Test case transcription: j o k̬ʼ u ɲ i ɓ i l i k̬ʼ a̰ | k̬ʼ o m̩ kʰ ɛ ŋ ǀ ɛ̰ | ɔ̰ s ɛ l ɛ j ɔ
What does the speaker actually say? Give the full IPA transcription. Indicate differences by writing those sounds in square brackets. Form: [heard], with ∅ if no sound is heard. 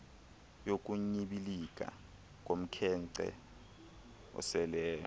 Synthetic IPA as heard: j o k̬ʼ u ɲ i ɓ i l i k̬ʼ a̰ | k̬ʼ o m̩ kʰ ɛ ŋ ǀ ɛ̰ | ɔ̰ s ɛ l [ɛː] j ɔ